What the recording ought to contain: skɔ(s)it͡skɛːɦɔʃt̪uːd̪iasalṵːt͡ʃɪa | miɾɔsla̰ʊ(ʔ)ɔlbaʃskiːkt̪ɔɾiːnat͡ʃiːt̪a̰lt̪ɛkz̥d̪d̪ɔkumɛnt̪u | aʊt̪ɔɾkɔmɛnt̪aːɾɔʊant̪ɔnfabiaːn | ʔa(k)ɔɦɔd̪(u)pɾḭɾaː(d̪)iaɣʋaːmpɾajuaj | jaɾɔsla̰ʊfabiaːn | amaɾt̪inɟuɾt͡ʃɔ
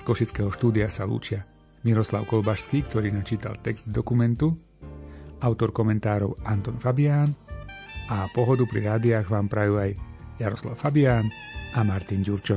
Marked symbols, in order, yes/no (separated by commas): no, no, no, yes, yes